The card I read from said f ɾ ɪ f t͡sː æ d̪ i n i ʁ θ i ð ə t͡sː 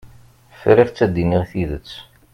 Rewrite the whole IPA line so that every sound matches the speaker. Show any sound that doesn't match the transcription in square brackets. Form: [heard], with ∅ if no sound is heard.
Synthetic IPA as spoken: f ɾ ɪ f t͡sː æ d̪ i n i ʁ θ i ð ə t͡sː